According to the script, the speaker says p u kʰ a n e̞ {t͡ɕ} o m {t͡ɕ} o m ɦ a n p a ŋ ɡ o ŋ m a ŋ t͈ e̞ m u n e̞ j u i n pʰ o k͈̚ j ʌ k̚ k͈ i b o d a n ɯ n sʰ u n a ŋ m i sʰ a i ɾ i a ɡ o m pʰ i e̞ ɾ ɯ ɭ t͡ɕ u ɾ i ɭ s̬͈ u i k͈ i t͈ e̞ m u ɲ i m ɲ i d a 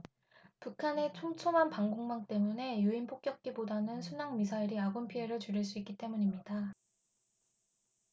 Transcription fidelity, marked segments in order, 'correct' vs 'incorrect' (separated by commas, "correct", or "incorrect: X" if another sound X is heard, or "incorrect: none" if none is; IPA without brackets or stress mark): incorrect: t͡ɕʰ, incorrect: t͡ɕʰ